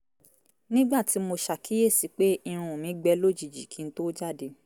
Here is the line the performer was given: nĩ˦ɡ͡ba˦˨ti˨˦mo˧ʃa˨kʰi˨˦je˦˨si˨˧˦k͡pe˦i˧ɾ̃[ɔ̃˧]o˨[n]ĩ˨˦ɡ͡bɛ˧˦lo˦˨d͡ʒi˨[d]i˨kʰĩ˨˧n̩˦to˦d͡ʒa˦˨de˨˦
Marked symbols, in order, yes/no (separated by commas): no, no, no